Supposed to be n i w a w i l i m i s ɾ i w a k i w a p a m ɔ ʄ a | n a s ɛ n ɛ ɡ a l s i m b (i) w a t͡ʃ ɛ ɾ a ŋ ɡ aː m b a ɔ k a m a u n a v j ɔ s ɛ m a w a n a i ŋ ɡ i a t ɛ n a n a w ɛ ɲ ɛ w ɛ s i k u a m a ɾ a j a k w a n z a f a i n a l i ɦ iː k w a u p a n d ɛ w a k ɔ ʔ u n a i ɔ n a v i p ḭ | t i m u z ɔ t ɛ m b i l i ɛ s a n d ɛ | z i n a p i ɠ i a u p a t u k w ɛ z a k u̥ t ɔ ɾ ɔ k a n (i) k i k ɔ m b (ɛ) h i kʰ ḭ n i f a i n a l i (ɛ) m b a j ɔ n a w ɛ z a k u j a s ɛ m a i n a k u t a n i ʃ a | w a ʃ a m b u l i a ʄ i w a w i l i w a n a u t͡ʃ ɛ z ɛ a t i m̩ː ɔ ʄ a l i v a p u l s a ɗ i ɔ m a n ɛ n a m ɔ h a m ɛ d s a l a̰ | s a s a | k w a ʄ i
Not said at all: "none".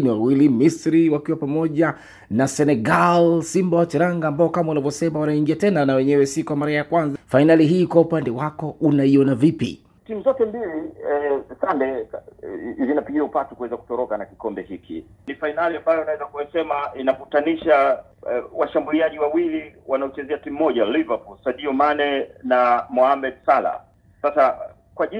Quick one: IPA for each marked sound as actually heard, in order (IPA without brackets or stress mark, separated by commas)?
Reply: a, a, ɛ, a